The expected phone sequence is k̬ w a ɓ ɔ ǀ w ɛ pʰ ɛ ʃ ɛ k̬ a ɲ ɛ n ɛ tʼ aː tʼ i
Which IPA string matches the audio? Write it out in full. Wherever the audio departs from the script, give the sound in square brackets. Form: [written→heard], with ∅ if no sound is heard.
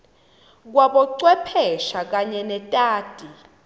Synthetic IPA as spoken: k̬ w a ɓ ɔ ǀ w ɛ pʰ ɛ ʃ [ɛ→a] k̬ a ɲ ɛ n ɛ tʼ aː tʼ i